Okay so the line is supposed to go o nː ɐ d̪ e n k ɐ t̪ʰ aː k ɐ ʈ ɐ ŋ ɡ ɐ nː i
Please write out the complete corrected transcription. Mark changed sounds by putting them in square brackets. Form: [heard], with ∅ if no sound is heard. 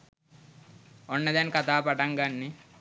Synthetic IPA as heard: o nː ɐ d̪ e n k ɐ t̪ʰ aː [p] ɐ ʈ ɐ ŋ ɡ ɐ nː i